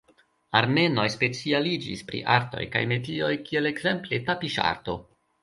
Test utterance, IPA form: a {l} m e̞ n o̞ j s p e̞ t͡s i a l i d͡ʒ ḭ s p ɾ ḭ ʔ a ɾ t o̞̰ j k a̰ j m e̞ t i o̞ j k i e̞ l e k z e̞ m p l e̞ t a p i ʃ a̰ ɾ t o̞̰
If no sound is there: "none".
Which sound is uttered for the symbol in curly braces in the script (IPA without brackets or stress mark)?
ɾ